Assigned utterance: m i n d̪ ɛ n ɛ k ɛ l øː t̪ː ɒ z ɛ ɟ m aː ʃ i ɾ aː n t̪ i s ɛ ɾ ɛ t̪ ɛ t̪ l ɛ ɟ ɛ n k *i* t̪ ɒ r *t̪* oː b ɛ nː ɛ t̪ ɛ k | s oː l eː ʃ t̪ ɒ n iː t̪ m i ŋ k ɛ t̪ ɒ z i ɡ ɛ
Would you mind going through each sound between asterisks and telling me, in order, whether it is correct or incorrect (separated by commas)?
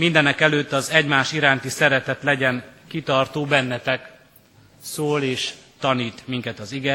correct, correct